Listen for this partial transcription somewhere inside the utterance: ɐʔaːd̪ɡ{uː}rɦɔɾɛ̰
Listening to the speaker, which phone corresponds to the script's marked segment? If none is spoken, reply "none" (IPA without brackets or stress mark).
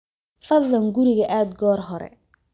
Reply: ɔː